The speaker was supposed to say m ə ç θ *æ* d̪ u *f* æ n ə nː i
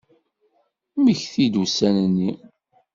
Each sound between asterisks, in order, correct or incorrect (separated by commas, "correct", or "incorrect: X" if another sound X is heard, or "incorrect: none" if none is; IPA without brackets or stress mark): incorrect: i, incorrect: s